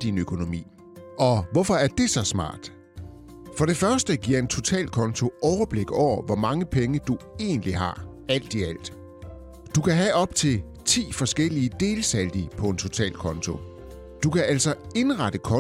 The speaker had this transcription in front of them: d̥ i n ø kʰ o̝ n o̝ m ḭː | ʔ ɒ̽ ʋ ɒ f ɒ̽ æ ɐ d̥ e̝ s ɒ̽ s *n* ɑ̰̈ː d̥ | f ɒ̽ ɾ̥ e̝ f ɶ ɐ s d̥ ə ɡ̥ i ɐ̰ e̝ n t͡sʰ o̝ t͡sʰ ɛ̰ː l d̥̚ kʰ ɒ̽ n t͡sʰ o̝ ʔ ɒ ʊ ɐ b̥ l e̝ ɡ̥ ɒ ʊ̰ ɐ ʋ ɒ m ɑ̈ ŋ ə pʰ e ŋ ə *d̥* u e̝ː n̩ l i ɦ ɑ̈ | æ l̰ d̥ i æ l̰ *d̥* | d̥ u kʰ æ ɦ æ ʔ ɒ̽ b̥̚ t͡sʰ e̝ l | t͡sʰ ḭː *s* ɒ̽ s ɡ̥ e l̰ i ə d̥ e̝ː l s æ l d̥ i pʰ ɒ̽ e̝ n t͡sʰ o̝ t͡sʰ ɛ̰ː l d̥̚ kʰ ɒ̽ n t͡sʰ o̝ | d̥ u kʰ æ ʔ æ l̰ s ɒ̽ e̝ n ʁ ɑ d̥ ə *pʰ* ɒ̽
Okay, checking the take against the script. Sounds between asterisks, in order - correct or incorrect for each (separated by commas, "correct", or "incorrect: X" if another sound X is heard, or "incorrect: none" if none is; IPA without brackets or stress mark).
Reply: incorrect: m, correct, correct, incorrect: f, incorrect: kʰ